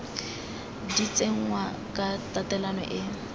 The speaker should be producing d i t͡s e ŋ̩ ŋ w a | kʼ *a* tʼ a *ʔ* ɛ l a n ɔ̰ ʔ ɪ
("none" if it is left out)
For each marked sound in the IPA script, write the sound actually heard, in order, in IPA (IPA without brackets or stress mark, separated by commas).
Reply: a, t